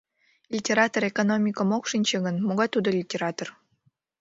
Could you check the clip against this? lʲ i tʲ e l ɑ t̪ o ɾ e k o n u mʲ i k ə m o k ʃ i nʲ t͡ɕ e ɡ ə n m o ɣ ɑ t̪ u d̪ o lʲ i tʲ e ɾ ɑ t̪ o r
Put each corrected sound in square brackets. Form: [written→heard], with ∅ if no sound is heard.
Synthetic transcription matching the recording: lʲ i tʲ e [l→ɾ] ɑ t̪ o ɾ e k o n [u→o] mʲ i k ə m o k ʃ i nʲ t͡ɕ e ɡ ə n m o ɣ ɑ t̪ u d̪ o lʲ i tʲ e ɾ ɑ t̪ o r